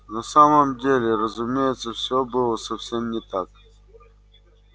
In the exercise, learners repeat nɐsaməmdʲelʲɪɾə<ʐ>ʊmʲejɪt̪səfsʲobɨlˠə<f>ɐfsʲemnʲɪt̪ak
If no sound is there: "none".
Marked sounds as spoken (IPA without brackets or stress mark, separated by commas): z, s